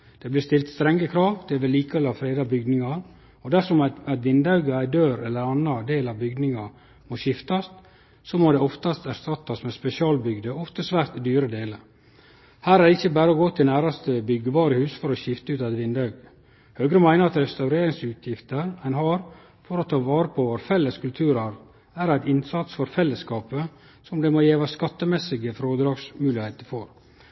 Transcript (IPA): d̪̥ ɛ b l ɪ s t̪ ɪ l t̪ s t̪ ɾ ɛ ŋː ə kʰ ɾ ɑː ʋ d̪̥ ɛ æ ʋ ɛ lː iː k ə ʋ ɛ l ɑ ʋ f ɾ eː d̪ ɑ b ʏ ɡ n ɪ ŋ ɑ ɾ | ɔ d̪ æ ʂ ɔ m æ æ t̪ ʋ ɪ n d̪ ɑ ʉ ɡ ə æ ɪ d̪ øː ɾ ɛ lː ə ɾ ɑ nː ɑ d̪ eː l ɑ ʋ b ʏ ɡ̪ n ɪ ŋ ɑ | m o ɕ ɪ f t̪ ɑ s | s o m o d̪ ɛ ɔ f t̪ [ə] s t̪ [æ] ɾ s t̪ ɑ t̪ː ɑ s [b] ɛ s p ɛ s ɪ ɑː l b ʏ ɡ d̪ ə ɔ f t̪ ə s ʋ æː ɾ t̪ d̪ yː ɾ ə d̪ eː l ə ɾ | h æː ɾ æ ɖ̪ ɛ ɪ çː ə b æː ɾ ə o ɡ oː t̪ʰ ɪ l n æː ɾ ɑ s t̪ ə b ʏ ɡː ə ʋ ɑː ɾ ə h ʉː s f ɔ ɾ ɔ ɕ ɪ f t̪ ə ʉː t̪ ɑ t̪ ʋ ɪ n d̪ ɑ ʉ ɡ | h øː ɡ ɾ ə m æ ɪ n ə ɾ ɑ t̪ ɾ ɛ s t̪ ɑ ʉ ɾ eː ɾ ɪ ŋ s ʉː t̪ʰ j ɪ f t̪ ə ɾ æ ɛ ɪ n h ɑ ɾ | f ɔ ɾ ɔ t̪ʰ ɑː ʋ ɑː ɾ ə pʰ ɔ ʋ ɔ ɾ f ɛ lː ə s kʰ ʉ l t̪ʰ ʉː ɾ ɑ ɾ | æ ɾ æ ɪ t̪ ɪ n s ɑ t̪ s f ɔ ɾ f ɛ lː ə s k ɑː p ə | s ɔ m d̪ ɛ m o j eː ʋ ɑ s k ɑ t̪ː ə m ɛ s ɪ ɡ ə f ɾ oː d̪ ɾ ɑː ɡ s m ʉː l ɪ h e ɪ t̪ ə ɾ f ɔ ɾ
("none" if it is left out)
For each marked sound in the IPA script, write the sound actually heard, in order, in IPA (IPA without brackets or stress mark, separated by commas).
ɑ, æ, m